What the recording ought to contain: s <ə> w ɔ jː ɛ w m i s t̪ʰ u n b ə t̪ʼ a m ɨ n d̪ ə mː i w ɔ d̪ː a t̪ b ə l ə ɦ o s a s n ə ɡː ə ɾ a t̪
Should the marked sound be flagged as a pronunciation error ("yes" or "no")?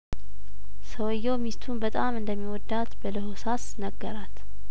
no